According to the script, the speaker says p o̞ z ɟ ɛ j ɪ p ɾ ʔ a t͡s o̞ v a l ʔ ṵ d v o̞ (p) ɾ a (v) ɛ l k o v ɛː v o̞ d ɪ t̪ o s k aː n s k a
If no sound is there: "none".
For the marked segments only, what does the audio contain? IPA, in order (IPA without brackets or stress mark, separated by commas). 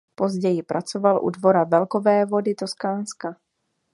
none, v